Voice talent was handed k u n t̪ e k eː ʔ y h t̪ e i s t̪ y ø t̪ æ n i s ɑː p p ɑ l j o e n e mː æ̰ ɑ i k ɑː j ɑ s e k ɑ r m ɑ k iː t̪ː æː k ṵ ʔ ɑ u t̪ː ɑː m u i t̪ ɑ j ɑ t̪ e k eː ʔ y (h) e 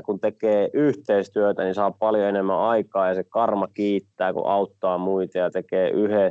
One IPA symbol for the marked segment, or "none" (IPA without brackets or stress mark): h